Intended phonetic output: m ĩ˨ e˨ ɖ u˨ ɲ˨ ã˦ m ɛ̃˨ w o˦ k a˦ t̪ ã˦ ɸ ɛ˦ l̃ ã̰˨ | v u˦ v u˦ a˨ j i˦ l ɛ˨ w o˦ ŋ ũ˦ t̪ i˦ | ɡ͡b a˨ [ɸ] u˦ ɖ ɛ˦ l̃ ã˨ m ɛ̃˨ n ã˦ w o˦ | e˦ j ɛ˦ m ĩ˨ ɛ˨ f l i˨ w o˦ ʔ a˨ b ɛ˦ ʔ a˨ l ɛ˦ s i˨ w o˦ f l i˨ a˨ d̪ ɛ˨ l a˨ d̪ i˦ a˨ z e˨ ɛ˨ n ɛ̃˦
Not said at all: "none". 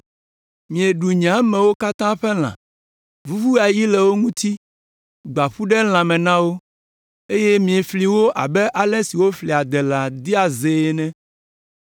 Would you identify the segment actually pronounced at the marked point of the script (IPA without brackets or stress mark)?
ɸ